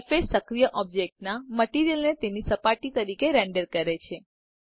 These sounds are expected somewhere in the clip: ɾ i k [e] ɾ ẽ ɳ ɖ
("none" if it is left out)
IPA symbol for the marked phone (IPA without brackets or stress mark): e